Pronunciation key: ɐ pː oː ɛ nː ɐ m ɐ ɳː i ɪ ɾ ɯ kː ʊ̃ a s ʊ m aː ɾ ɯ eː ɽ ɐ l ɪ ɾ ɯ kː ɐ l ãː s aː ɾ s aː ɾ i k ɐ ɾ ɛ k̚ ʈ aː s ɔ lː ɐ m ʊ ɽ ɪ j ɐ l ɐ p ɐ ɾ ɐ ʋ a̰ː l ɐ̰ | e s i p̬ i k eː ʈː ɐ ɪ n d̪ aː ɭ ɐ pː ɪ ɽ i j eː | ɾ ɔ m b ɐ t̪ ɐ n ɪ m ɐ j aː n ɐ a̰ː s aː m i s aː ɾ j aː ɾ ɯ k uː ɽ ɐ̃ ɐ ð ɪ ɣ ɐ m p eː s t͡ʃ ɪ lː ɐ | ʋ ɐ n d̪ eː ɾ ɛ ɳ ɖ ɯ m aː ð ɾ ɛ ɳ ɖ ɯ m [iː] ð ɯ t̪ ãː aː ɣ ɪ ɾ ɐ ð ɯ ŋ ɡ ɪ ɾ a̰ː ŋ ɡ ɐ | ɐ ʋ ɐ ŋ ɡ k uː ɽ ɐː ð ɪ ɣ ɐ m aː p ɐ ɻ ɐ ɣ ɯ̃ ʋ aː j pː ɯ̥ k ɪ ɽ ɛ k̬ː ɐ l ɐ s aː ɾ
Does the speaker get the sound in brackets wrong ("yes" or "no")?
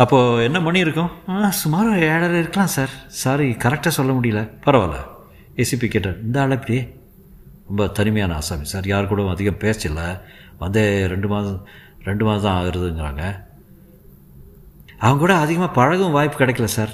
yes